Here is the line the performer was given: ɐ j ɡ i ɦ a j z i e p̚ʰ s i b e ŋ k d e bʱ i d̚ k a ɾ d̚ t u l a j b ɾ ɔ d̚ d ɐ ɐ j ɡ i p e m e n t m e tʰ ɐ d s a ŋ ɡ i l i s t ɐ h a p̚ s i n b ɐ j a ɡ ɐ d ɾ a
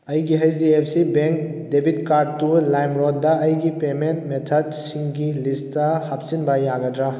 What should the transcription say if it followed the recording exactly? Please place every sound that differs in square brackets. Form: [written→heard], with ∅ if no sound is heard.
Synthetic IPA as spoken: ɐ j ɡ i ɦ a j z i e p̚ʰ s i b e ŋ k d e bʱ i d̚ k a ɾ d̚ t u l a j [b→m] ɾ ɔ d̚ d ɐ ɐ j ɡ i p e m e n t m e tʰ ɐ d s [a→i] ŋ ɡ i l i s t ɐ h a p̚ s i n b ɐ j a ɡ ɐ d ɾ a